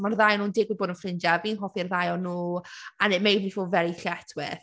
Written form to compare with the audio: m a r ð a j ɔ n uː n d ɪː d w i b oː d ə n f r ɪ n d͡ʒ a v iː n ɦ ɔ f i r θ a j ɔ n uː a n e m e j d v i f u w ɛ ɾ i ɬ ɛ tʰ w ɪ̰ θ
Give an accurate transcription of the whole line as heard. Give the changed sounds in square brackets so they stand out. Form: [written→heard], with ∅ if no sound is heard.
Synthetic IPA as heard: m a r ð a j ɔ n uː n d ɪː [d→ɡ] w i b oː d ə n f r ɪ n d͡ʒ a v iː n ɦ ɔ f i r [θ→ð] a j ɔ n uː a n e m e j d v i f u [w→v] ɛ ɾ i ɬ ɛ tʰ w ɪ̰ θ

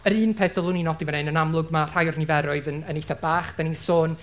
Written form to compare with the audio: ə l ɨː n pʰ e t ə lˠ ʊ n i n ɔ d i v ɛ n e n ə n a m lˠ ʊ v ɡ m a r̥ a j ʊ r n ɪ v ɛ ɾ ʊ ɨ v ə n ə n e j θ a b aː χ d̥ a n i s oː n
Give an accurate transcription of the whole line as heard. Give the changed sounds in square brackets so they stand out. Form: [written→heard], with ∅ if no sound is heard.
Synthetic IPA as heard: ə [l→ɾ] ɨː n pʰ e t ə lˠ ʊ n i n ɔ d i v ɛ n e n ə n a m lˠ ʊ [v→∅] ɡ m a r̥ a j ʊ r n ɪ v ɛ ɾ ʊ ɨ [v→ð] ə n ə n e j θ a b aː χ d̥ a n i s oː n

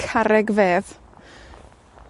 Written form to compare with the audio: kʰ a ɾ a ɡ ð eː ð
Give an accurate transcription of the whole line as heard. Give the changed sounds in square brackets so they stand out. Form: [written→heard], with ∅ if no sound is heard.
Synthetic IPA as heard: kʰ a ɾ [a→ɛ] ɡ [ð→v] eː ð

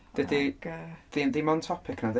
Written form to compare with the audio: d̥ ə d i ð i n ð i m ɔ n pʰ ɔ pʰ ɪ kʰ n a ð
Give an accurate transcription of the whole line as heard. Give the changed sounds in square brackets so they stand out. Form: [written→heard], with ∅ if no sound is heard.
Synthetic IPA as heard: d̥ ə d i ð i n ð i m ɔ n [pʰ→tʰ] ɔ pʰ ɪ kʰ n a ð

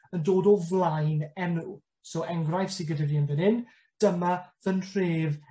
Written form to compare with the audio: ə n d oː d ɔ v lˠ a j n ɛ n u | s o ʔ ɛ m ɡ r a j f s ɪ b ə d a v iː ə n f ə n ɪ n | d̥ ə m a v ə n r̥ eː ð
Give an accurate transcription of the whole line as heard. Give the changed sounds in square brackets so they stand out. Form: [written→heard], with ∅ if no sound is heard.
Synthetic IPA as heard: ə n d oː d ɔ v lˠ a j n ɛ n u | s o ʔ ɛ [m→ŋ] ɡ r a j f s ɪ [b→ɡ] ə d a v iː ə n [f→v] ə n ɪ n | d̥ ə m a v ə n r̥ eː [ð→v]

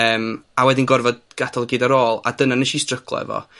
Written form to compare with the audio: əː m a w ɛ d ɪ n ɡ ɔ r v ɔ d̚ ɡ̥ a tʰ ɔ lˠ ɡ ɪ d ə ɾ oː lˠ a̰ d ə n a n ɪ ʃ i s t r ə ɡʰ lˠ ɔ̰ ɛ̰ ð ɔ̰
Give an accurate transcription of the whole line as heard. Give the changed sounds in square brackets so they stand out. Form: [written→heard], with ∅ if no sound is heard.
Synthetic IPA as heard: əː m a w ɛ d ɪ n ɡ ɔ r v ɔ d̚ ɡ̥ a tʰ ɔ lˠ ɡ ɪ d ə ɾ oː lˠ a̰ d ə n a n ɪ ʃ i s t r ə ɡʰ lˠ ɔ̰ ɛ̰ [ð→v] ɔ̰

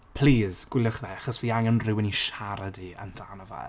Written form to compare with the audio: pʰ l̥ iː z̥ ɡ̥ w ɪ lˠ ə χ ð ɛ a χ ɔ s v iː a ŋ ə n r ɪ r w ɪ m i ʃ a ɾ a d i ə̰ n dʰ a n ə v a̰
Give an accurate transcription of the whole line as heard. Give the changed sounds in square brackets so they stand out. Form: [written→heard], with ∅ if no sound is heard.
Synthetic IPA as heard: pʰ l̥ iː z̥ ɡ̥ w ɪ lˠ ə χ ð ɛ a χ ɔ s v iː a ŋ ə n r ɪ [r→∅] w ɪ [m→n] i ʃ a ɾ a d i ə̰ n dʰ a n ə v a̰

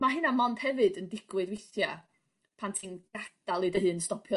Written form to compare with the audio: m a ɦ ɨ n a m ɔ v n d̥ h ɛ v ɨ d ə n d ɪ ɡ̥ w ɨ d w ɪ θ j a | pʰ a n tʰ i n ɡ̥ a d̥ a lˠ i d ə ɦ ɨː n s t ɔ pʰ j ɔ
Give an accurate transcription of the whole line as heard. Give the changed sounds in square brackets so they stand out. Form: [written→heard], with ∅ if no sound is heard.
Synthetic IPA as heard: m a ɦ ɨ n a m ɔ [v→∅] n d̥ h ɛ v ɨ d ə n d ɪ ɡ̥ w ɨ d w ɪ θ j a | pʰ a n tʰ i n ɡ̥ a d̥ a lˠ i d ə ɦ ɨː n s t ɔ pʰ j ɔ

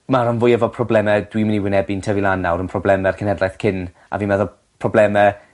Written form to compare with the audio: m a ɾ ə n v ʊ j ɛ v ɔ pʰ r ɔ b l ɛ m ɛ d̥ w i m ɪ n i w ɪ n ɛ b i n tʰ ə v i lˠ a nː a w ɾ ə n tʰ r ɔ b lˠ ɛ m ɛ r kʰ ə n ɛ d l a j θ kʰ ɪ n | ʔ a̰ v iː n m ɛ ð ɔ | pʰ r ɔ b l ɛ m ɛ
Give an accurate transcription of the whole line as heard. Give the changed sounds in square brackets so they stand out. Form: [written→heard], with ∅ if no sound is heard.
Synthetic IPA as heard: m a ɾ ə n v ʊ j ɛ v ɔ pʰ r ɔ b l ɛ m ɛ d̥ w i m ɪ n i w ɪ n ɛ b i n tʰ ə v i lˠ a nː a w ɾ ə n [tʰ→pʰ] r ɔ b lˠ ɛ m ɛ r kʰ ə n ɛ d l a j θ kʰ ɪ n | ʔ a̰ v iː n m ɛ ð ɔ | pʰ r ɔ b l ɛ m ɛ

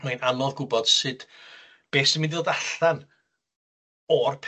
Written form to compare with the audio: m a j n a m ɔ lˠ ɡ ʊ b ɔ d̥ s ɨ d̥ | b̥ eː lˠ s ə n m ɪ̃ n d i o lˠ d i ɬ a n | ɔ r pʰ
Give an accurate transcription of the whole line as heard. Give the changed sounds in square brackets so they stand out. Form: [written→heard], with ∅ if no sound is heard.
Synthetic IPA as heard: m a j n a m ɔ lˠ ɡ ʊ b ɔ d̥ s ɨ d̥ | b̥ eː [lˠ→∅] s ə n m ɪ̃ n d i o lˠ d [i→a] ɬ a n | ɔ r pʰ

